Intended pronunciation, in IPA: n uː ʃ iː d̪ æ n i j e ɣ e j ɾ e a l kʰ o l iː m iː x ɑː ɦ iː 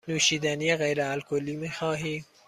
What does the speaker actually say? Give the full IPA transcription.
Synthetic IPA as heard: n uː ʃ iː d̪ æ n i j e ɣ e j ɾ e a l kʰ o l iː m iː x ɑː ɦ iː